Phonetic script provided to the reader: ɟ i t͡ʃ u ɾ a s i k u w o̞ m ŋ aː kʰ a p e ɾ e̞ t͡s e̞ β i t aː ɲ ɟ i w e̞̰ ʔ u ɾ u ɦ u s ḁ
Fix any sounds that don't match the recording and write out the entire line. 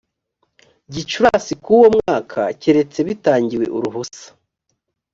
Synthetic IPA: ɟ i t͡ʃ u ɾ a s i k u w o̞ m ŋ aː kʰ a c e ɾ e̞ t͡s e̞ β i t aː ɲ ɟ i w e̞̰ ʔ u ɾ u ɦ u s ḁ